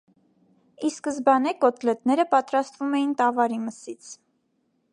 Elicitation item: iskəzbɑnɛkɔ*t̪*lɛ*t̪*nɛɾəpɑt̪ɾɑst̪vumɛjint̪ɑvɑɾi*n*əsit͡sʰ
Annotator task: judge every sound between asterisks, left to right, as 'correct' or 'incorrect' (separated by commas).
correct, correct, incorrect